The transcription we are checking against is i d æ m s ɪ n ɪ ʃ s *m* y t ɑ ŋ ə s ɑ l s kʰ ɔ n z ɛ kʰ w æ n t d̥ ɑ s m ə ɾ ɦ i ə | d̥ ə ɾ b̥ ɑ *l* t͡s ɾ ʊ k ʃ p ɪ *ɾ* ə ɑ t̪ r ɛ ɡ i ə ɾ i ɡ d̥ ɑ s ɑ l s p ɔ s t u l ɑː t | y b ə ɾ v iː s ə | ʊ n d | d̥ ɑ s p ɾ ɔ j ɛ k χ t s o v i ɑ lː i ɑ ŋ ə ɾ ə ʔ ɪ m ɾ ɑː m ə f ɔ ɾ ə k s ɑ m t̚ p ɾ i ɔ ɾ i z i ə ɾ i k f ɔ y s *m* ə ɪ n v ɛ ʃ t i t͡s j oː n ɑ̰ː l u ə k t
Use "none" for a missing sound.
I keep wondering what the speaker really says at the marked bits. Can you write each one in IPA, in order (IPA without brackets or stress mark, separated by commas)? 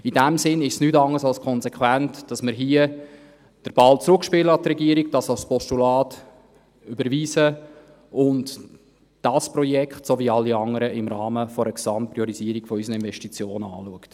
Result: n, l, l, n